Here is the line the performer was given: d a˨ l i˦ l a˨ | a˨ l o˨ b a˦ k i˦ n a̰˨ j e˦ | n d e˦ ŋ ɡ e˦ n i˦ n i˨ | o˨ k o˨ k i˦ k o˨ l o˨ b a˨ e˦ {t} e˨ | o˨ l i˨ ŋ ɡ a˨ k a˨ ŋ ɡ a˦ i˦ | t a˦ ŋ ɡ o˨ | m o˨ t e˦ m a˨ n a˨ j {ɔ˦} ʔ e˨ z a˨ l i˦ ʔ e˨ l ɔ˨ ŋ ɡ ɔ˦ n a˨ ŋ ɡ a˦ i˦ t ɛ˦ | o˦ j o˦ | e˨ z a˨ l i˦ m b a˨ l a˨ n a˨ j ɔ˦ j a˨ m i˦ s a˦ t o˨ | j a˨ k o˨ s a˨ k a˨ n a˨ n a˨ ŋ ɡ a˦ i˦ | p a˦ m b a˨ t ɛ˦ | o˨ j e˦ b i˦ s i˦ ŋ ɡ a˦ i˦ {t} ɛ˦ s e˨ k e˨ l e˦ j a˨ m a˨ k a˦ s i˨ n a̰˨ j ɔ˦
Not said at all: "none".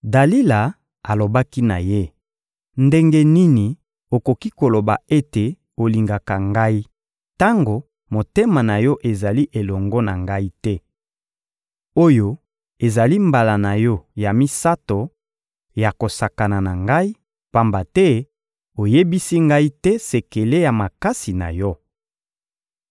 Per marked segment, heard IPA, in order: t, ɔ˦, t

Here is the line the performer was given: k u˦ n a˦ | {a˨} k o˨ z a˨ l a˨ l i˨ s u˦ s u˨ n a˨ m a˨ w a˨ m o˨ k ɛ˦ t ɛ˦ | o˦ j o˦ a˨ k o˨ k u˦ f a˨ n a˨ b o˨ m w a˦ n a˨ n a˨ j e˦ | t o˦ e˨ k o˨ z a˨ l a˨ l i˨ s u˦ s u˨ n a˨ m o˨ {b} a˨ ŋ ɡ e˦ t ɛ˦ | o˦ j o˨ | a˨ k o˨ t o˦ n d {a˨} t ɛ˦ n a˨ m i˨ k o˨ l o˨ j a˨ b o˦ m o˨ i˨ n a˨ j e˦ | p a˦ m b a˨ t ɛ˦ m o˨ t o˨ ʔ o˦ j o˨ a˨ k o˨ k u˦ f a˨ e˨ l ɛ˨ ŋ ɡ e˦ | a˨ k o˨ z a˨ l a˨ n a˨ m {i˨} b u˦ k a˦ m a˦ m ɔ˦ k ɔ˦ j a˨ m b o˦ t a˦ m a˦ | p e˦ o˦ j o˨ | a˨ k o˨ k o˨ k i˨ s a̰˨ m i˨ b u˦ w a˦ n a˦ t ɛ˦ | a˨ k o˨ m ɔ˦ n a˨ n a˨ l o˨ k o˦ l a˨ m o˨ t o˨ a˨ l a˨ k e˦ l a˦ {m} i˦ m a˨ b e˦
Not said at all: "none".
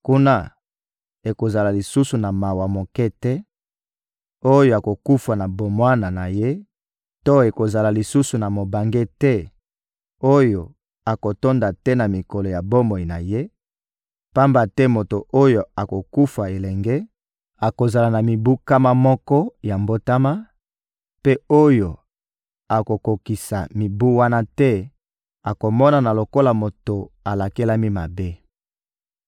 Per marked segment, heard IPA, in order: e˨, b, a˨, i˨, m

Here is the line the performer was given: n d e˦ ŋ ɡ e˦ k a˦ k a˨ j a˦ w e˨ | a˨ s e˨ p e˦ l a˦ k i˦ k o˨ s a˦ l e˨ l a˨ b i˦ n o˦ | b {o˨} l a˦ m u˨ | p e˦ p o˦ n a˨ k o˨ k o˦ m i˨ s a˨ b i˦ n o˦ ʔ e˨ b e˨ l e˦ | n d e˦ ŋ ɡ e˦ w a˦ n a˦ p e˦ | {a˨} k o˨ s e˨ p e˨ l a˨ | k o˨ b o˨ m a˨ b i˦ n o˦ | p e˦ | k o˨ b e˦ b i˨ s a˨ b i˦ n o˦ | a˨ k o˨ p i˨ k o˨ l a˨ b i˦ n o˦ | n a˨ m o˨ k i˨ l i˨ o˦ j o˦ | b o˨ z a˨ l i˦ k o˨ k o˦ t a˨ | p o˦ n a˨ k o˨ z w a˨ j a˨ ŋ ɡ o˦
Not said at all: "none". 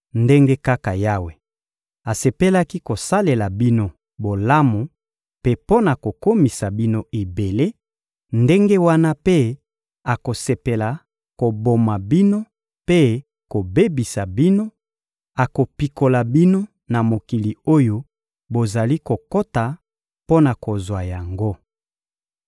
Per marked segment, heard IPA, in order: o˨, a˨

